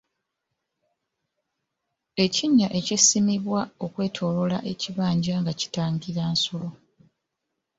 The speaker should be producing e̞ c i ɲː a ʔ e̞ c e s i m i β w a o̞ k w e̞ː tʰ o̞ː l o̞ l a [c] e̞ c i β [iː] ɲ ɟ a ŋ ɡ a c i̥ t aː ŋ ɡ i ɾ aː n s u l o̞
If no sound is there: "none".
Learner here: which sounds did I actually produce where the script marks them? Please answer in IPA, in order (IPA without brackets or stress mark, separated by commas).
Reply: ʔ, aː